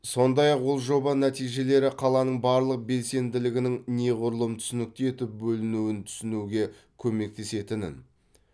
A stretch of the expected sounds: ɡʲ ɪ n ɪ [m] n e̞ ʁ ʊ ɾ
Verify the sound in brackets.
incorrect: ŋ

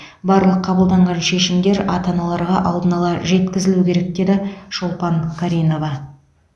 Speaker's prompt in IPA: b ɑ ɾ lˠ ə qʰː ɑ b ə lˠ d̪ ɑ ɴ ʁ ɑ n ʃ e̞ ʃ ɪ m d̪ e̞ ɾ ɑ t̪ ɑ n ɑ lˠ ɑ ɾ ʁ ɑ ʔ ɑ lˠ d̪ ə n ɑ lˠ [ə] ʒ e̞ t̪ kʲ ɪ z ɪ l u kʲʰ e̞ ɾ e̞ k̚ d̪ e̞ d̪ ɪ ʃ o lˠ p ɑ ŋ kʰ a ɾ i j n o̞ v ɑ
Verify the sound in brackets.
incorrect: ɑ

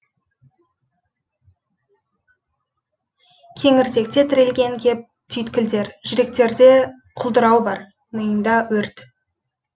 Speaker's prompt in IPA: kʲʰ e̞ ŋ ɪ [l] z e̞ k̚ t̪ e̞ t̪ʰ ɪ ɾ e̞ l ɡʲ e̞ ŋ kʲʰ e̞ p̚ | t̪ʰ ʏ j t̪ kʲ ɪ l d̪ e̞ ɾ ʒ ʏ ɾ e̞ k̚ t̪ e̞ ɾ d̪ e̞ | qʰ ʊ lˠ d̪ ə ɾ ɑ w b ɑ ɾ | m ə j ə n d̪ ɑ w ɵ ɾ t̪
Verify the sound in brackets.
incorrect: ɾ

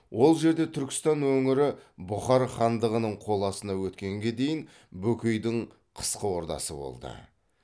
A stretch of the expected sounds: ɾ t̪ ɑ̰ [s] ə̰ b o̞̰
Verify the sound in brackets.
correct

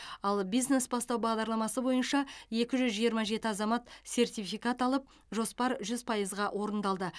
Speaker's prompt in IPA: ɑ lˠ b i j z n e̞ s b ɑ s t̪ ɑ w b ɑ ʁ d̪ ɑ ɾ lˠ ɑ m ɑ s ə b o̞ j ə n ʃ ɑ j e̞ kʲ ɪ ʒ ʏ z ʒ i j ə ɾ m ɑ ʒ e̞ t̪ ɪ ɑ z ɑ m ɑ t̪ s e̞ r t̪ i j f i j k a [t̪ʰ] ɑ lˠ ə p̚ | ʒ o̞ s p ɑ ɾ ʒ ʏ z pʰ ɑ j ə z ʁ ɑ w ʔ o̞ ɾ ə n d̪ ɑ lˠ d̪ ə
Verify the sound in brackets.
incorrect: t̪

